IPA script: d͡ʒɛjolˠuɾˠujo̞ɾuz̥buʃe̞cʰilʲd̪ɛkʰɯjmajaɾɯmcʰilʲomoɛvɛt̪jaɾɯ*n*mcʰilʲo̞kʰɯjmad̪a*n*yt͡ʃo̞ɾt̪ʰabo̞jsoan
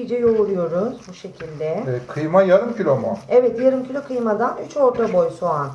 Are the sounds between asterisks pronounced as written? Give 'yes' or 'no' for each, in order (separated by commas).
no, yes